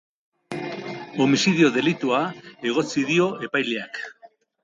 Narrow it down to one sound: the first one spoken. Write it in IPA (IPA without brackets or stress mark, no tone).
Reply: o̞